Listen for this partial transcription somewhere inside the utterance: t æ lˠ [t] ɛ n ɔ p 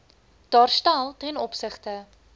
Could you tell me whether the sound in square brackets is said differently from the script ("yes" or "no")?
no